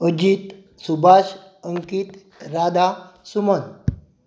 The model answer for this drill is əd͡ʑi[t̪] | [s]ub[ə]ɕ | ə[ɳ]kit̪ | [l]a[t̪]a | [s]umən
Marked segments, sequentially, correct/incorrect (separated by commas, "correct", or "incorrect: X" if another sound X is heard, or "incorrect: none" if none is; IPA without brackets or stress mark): correct, correct, incorrect: a, incorrect: ŋ, incorrect: ɾ, incorrect: d̪, correct